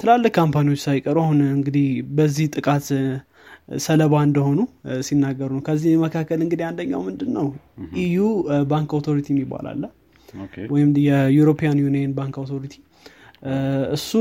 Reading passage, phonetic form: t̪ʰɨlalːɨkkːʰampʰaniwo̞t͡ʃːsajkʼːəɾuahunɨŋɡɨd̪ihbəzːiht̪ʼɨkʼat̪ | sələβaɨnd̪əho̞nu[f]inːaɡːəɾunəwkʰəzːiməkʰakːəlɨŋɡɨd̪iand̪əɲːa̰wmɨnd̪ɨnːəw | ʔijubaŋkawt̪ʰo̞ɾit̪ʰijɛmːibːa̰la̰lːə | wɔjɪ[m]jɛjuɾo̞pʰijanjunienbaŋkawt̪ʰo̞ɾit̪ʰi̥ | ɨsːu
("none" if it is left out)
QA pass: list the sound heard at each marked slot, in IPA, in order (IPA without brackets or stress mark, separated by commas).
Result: s, m